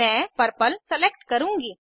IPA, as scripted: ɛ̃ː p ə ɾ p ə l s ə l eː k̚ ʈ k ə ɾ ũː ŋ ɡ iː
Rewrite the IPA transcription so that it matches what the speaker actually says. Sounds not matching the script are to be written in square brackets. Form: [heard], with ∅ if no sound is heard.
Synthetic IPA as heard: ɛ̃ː p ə ɾ p ə l s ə l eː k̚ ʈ k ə ɾ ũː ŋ ɡ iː